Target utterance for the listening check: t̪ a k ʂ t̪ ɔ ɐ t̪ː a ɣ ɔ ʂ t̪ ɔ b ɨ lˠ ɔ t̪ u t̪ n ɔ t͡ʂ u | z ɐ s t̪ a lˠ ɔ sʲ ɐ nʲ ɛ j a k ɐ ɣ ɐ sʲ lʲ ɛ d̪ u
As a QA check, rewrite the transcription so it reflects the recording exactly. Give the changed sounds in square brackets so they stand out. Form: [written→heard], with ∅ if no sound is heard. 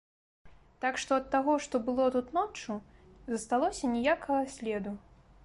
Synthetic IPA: t̪ a k ʂ t̪ ɔ ɐ t̪ː a ɣ ɔ ʂ t̪ ɔ b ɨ lˠ ɔ t̪ u t̪ n ɔ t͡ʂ u | z ɐ s t̪ a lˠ ɔ sʲ ɐ nʲ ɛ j a k ɐ ɣ ɐ sʲ lʲ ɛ d̪ u